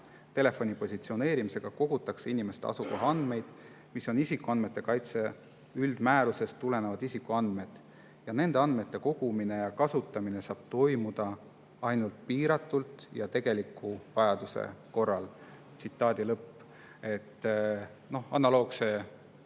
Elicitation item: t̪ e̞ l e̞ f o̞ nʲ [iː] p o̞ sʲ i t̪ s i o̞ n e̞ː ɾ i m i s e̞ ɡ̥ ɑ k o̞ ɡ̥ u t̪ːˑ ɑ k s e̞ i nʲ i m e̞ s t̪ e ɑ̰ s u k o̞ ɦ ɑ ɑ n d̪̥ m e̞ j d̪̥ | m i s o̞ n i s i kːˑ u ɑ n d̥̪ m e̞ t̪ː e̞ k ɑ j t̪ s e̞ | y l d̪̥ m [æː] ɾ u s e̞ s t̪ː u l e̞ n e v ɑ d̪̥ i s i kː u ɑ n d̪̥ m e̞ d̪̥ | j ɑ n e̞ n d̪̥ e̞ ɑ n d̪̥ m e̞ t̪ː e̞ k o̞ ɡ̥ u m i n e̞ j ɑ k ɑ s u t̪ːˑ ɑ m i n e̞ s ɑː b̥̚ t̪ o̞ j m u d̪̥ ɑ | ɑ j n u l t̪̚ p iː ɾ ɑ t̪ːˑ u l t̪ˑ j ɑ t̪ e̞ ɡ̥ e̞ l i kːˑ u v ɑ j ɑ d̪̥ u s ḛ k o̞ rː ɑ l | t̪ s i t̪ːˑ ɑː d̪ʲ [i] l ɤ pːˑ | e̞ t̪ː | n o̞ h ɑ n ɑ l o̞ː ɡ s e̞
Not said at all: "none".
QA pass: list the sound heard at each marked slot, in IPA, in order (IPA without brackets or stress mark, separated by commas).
i, æː, i